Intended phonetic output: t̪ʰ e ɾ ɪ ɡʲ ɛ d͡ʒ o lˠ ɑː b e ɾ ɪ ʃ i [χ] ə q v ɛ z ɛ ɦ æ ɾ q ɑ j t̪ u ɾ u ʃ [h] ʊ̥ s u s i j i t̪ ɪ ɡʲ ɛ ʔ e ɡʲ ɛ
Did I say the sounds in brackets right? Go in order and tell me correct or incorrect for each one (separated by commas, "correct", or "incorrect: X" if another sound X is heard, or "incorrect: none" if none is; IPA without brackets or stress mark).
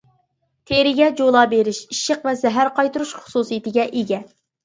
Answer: incorrect: ʃ, incorrect: χ